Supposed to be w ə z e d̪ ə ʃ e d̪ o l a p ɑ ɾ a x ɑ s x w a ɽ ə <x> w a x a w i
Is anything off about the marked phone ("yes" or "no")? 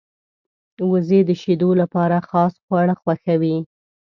no